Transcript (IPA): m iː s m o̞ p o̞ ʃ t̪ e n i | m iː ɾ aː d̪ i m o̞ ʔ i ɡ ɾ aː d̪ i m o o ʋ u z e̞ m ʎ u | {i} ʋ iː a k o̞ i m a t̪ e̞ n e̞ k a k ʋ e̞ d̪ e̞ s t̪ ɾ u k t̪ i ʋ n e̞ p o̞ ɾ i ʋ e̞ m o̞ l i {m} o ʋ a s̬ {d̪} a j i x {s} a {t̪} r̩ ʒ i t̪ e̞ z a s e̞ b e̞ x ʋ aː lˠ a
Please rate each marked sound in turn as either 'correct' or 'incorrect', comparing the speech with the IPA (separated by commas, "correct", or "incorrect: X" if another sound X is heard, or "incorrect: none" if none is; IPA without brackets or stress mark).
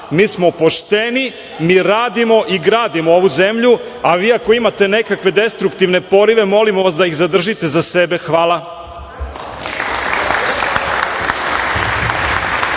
incorrect: a, correct, correct, incorrect: z, incorrect: d̪